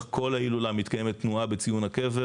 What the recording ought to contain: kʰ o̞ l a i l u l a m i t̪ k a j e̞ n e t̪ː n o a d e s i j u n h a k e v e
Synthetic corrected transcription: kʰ o̞ l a i l u l a m i t̪ k a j e̞ m e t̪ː n u a b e t͡s i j u n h a k e v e